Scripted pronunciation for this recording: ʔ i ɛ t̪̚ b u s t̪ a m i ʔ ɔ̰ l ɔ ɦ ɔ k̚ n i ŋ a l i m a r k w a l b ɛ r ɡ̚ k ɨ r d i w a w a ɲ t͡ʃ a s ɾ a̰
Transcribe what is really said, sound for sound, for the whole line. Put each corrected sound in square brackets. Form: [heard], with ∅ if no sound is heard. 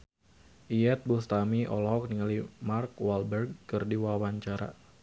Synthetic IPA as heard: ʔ i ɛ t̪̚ b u s t̪ a m i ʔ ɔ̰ l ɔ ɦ ɔ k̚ n i ŋ a l i m a r k w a l b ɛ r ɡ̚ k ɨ r d i w a w a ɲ t͡ʃ a [∅] ɾ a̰